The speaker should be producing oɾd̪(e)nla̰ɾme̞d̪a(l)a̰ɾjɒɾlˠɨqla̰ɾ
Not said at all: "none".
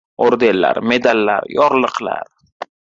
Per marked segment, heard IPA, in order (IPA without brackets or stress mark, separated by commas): e, lː